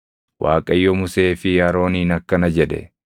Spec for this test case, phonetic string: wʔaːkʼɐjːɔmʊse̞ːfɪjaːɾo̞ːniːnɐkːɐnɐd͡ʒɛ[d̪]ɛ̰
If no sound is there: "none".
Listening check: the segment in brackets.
d̪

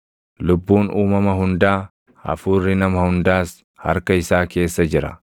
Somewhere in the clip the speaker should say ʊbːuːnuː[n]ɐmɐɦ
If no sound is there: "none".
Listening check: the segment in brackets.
m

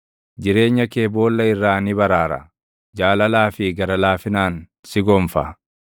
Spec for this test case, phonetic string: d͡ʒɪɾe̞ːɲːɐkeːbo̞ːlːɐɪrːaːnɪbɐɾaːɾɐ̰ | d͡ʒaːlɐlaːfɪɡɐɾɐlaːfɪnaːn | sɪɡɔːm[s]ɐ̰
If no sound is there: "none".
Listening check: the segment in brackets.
f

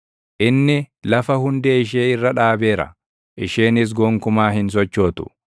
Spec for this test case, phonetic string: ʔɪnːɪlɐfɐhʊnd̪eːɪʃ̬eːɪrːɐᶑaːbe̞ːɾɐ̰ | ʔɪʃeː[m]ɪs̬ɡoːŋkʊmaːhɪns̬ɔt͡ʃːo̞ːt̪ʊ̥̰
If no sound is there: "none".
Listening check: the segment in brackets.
n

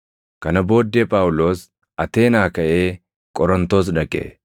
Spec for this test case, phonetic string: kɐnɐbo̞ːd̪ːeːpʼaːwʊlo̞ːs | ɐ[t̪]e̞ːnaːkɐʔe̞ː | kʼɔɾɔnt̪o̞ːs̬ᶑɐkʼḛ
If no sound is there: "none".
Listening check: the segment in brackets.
t̪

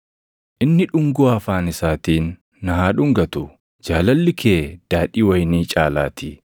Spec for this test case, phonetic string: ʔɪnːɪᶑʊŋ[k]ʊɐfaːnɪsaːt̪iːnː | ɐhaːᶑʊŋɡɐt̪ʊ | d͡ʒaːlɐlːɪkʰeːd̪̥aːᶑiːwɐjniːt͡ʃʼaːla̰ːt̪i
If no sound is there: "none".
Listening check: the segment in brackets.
ɡ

